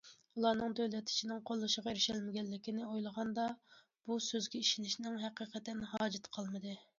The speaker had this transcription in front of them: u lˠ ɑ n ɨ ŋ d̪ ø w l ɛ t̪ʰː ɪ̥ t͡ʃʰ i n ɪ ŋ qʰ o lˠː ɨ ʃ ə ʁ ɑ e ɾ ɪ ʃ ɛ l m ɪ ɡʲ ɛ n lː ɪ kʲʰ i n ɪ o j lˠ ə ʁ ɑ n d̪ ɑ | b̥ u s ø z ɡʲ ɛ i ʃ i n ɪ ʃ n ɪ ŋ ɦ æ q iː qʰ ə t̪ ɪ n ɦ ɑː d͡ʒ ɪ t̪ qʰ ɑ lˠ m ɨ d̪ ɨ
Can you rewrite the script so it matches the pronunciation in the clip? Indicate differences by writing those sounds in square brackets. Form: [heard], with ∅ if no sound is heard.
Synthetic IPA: u lˠ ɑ n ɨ ŋ d̪ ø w l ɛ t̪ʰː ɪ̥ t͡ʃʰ i n ɪ ŋ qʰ o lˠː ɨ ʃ ə ʁ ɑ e ɾ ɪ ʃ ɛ l m ɪ ɡʲ ɛ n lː ɪ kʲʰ i n ɪ o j lˠ ə ʁ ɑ n d̪ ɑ | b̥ u s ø z ɡʲ ɛ i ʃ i n ɪ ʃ n ɪ ŋ ɦ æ q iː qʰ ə t̪ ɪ n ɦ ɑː d͡ʒ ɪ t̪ qʰ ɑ lˠ m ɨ d̪ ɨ